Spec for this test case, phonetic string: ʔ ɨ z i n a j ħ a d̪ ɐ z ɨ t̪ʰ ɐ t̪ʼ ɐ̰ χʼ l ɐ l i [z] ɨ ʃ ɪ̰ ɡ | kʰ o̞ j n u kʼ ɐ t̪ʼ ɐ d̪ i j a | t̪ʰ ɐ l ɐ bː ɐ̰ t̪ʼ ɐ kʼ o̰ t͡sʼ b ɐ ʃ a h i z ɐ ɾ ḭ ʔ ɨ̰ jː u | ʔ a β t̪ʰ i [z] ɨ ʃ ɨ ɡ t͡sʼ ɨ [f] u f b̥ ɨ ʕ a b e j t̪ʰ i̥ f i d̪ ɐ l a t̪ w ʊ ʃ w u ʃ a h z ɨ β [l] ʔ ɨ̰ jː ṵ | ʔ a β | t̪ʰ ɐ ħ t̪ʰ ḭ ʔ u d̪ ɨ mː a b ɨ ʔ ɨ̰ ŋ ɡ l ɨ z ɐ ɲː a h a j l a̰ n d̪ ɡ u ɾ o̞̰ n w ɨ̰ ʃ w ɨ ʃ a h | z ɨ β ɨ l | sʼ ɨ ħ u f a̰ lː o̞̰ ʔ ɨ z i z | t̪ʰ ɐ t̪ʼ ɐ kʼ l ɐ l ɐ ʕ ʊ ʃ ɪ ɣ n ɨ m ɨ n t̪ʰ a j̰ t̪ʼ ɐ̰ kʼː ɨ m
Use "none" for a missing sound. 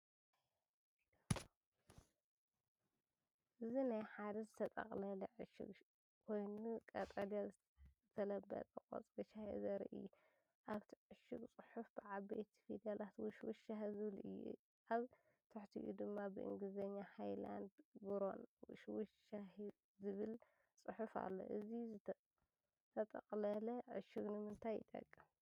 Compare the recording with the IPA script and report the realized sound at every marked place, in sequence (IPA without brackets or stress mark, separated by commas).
ʕ, ʕ, ħ, l